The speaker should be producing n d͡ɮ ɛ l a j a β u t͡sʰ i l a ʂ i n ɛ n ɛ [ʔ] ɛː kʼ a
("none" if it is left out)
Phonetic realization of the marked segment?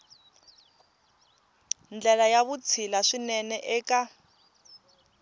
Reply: ʔ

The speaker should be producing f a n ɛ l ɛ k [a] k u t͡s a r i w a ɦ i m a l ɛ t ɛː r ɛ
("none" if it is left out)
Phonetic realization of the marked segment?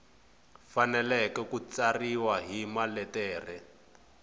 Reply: ɛ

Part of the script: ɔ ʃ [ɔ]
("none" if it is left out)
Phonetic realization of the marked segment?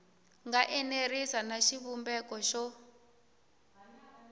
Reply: ɔ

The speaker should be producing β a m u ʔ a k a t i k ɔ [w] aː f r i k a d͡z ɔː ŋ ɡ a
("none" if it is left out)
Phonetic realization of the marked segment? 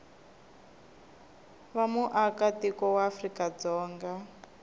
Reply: w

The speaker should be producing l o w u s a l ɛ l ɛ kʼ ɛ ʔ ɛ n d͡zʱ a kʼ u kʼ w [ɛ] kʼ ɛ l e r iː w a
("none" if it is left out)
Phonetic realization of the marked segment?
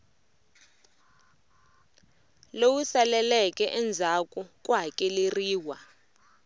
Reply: a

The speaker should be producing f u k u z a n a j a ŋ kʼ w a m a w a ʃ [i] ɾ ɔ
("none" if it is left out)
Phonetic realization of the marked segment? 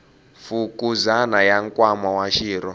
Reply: iː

